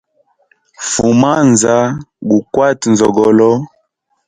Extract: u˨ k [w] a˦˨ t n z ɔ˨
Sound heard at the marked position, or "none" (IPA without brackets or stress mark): w